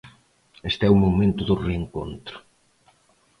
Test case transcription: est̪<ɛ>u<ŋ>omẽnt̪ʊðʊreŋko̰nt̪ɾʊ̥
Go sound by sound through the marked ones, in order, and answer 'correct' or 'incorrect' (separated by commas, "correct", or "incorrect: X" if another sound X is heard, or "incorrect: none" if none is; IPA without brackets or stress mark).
correct, incorrect: m